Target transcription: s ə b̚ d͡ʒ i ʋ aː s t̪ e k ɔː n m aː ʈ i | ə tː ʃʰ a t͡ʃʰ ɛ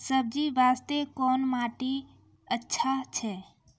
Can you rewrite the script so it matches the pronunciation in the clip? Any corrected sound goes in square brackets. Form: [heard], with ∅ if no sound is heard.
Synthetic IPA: s ə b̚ d͡ʒ i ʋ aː s t̪ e k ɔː n m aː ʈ i | ə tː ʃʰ a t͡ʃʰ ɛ